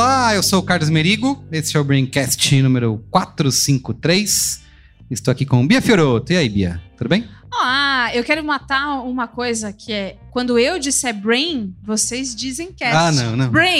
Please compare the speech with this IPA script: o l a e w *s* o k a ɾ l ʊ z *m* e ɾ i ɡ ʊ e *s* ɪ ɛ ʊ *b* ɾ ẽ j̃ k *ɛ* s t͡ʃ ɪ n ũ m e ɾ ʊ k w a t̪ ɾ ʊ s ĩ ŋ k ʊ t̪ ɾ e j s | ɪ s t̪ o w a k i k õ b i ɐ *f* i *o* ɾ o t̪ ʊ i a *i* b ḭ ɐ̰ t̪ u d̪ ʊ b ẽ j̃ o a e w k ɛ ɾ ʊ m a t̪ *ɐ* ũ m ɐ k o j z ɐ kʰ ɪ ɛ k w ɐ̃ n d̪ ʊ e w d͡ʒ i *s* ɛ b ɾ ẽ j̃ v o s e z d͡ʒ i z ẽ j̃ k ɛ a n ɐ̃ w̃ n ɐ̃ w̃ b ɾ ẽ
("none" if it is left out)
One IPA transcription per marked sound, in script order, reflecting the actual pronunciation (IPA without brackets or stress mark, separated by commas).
s, m, s, b, ɛ, f, o, i, a, s